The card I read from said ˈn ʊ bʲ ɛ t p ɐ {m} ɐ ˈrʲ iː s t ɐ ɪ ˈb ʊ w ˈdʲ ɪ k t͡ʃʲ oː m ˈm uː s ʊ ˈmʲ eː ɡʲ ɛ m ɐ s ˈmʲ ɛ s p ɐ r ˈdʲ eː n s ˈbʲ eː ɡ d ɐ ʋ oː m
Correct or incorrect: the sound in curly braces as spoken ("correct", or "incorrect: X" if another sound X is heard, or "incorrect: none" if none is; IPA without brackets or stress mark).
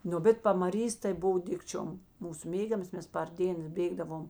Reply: correct